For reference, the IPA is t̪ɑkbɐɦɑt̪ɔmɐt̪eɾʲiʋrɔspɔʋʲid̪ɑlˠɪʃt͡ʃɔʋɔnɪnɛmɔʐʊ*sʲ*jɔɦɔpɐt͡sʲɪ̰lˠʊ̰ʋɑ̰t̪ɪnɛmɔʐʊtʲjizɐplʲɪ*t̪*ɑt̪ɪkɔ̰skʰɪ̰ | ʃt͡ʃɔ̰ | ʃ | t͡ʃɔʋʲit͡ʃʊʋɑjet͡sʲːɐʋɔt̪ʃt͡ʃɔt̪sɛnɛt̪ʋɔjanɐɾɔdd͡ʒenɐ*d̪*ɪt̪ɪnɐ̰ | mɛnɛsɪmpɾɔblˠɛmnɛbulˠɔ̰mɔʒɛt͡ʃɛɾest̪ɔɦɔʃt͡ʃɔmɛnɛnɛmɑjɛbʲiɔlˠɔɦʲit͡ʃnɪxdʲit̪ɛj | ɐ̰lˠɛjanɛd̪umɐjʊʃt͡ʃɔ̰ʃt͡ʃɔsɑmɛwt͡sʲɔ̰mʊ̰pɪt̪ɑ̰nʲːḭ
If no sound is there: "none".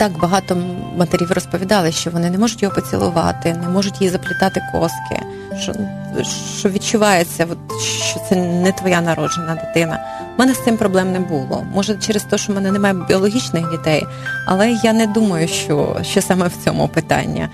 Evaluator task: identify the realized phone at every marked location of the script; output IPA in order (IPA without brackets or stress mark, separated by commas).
tʲ, t̪, d̪